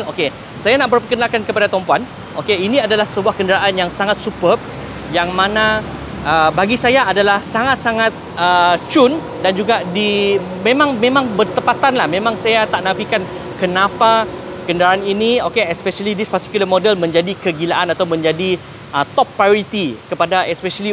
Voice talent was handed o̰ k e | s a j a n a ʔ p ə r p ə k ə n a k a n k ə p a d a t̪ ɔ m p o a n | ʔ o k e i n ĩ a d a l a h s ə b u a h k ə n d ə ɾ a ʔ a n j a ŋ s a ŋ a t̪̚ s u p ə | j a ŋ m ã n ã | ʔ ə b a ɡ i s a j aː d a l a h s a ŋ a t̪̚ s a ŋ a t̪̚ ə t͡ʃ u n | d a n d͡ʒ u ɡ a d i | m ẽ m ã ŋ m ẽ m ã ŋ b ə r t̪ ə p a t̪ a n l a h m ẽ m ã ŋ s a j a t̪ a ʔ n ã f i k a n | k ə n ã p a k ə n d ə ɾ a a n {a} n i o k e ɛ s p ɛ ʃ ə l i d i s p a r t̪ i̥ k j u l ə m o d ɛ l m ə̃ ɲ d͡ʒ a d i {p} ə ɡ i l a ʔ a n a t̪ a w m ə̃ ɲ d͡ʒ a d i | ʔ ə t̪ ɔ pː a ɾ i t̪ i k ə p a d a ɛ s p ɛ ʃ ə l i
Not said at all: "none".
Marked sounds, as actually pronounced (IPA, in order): i, k

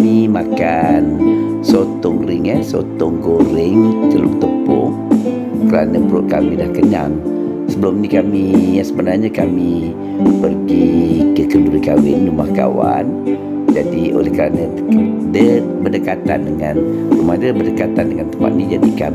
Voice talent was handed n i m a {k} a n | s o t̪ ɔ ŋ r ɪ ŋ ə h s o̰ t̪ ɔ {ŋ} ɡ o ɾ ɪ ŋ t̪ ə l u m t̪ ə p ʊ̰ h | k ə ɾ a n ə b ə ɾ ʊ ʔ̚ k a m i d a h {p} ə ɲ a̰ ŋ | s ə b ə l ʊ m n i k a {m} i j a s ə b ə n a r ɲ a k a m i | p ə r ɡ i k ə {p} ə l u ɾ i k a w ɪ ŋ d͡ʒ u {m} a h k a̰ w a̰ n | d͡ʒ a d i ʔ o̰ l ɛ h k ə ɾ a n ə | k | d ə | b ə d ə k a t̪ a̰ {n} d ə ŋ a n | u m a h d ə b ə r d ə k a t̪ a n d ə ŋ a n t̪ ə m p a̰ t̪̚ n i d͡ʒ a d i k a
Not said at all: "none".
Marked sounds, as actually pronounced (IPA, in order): k, ŋ, k, m, k, m, n

